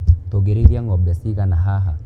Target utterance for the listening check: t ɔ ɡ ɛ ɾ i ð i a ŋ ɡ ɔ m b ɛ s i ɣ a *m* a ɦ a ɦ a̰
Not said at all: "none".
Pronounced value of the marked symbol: n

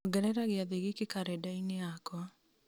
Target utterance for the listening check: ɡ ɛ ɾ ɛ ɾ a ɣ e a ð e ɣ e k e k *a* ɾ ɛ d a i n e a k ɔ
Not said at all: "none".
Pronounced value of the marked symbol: a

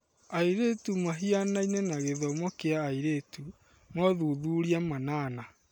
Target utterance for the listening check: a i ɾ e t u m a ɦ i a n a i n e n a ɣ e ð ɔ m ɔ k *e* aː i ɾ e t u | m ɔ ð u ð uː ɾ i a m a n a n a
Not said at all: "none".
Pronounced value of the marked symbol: e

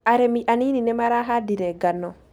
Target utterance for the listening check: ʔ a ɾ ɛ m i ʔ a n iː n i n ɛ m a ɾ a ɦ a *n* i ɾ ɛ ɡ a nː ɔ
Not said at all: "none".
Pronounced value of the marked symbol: d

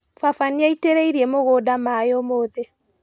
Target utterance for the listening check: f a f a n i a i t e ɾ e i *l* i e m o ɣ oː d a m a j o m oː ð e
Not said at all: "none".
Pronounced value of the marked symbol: ɾ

